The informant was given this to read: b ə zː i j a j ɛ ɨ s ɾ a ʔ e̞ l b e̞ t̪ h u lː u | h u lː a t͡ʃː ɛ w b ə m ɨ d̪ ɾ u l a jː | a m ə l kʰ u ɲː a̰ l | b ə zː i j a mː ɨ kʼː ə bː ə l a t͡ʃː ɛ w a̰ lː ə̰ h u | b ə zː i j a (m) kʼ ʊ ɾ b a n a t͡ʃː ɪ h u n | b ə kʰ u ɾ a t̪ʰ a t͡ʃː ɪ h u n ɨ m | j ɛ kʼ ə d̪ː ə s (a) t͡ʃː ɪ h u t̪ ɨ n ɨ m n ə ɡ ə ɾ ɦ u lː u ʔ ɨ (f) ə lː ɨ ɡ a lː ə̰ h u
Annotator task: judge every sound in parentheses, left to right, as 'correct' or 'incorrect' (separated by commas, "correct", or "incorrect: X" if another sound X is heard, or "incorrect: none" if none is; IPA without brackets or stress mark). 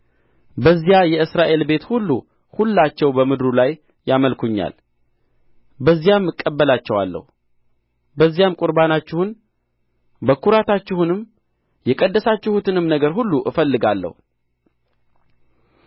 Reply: correct, correct, correct